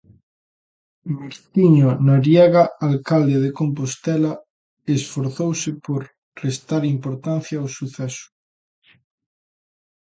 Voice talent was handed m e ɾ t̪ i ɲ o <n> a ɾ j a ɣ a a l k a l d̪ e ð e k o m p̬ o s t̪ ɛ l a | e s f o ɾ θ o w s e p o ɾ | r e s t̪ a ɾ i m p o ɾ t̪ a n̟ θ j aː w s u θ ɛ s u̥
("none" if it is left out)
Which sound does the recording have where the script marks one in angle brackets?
n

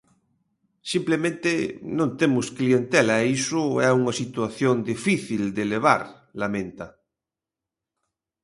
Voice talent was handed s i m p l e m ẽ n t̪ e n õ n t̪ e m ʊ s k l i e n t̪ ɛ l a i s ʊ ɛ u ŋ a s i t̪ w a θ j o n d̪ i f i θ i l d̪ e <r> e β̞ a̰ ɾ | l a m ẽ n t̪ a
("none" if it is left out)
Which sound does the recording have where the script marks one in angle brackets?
l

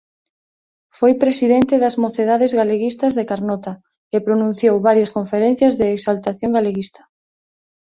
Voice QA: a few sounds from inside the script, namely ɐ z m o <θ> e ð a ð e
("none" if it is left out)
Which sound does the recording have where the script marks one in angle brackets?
θ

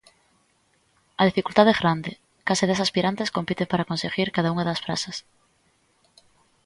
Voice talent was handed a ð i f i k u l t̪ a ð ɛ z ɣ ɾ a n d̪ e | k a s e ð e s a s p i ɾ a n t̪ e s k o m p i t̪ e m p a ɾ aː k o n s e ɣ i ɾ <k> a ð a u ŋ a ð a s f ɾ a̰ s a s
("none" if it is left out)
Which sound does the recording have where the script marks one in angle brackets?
k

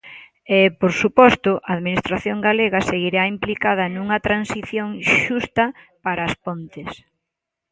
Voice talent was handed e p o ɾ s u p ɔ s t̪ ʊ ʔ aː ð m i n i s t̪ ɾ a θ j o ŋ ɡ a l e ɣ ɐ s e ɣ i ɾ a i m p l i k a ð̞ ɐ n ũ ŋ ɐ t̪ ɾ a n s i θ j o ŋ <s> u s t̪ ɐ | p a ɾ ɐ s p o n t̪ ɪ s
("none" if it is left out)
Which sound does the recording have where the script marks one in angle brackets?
ʃ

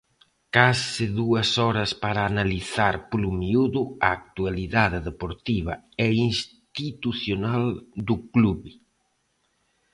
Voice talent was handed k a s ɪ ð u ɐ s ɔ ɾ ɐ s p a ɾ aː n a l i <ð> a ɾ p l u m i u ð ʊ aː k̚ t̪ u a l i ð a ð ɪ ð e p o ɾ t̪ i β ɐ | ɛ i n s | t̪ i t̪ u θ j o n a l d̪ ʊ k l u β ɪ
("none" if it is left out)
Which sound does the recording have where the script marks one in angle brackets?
θ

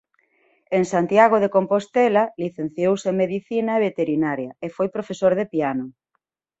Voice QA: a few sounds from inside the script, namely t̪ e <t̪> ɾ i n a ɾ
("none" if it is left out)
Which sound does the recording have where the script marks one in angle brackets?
none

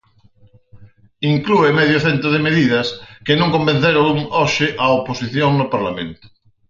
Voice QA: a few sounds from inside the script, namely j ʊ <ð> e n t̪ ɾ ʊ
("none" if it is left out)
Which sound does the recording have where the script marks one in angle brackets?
θ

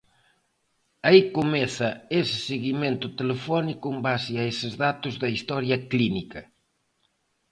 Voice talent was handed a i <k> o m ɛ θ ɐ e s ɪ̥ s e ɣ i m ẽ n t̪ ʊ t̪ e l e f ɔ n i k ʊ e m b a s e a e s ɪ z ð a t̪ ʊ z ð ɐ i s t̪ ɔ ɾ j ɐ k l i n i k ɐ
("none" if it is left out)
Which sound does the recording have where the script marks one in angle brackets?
k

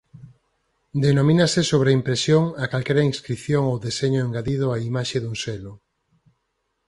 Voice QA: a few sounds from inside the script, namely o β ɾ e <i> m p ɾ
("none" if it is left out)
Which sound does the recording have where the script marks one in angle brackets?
i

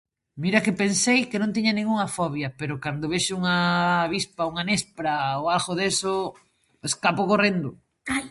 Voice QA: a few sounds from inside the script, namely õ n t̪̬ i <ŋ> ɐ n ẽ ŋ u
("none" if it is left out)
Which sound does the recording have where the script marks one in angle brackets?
ɲ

